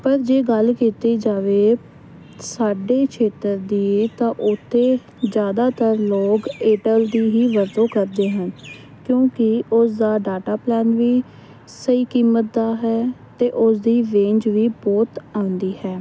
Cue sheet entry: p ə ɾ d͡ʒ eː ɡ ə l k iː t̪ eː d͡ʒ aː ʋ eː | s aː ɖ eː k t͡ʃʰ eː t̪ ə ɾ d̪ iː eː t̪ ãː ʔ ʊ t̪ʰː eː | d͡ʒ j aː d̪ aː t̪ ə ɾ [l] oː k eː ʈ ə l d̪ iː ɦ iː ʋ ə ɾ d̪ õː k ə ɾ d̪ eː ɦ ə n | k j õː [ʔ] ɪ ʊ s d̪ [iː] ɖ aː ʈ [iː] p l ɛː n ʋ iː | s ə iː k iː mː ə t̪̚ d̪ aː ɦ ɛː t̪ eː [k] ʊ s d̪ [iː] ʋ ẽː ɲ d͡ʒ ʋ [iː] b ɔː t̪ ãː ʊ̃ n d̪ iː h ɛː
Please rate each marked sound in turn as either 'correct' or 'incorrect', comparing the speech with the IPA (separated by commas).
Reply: correct, incorrect, incorrect, incorrect, incorrect, correct, correct